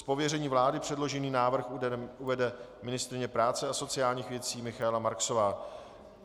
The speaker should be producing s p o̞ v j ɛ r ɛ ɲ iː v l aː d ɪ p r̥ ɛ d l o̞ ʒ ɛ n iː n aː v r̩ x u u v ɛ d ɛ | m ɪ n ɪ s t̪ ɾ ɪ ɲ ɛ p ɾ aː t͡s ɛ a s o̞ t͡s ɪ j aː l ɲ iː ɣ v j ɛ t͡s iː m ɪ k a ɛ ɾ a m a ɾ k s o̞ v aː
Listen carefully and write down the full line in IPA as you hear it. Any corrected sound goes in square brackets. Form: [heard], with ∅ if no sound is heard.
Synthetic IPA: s p o̞ v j ɛ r ɛ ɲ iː v l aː d ɪ p r̥ ɛ d l o̞ ʒ ɛ n iː n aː v r̩ x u u v ɛ d ɛ | m ɪ n ɪ s t̪ ɾ ɪ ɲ ɛ p ɾ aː t͡s ɛ a s o̞ t͡s ɪ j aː l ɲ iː [x] v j ɛ t͡s iː m ɪ [x] a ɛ [l] a m a ɾ k s o̞ v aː